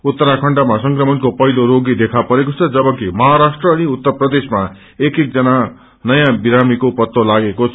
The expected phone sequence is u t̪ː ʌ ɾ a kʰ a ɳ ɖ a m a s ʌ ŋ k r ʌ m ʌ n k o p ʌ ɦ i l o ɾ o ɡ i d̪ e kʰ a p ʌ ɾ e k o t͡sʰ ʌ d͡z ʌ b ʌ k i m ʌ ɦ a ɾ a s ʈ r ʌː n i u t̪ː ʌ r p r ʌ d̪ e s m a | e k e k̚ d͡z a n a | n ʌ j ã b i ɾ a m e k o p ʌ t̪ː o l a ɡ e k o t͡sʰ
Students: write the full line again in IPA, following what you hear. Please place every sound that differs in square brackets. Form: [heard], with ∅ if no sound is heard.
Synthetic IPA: u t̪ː ʌ ɾ a kʰ [ʌ] ɳ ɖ a m a s ʌ ŋ k r ʌ m ʌ n k o p ʌ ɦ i l o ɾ o ɡ i d̪ e kʰ a p ʌ ɾ e k o t͡sʰ ʌ d͡z ʌ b ʌ k i m ʌ ɦ a ɾ a s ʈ r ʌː n i u t̪ː ʌ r p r ʌ d̪ e s m a | e k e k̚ d͡z [ʌ] n a | n ʌ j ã b i ɾ a m [i] k o p ʌ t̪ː o l a ɡ e k o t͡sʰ